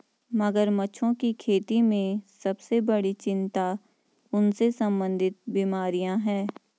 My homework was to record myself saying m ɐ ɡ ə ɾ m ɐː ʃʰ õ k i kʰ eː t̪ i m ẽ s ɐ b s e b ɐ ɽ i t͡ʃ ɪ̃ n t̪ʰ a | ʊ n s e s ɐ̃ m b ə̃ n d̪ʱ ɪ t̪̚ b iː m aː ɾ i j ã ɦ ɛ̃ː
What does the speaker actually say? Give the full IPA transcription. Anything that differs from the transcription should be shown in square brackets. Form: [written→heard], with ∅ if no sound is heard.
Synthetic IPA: m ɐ ɡ ə ɾ m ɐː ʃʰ õ k i kʰ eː t̪ i m ẽ s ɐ b s e b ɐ ɽ i t͡ʃ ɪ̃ n [t̪ʰ→t̪] a | ʊ n s e s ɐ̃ m b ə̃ n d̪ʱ ɪ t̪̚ b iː m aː ɾ i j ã ɦ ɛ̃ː